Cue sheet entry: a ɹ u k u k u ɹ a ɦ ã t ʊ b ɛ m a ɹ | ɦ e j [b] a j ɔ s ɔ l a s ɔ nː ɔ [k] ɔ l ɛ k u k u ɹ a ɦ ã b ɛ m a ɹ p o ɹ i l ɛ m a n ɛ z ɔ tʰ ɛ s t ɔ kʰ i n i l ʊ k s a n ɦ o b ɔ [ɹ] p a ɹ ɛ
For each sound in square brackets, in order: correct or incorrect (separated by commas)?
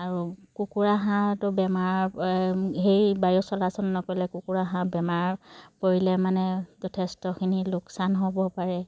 correct, correct, incorrect